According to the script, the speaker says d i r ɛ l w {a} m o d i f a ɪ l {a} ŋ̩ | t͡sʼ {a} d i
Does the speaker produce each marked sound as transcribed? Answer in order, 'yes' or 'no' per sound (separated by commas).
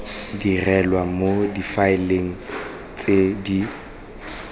yes, no, no